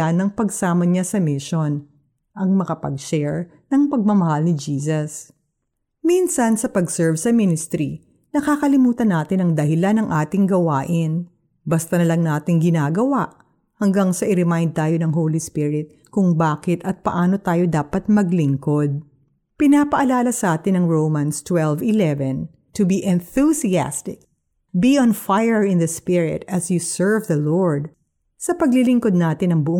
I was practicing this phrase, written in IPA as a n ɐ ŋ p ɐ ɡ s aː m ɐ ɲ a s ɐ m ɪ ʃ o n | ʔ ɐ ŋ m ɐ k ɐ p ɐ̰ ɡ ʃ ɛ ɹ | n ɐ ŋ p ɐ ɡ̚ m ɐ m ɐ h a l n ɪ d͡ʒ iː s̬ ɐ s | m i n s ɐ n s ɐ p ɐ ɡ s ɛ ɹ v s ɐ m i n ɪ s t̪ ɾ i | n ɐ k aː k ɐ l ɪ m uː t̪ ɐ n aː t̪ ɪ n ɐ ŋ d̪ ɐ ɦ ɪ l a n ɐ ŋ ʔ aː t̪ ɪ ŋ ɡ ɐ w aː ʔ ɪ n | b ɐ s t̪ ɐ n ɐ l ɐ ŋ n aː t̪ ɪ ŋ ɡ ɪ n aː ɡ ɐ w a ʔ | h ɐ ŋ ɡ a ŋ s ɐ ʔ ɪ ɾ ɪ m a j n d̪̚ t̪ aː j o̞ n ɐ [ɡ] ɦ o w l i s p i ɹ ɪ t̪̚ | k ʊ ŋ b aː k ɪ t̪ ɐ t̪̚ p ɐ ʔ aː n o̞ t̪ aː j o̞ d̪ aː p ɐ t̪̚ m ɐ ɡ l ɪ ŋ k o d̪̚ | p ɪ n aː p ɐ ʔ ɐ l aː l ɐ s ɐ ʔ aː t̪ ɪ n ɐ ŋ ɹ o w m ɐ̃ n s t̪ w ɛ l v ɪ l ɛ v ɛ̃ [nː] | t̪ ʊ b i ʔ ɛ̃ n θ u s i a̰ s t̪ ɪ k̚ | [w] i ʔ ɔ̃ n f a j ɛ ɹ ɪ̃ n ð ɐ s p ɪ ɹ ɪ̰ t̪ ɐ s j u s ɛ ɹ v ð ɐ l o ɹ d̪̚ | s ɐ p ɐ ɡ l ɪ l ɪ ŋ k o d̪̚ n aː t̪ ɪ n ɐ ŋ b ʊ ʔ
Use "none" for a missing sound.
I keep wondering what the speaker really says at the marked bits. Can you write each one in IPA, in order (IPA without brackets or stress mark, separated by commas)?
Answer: ŋ, n, b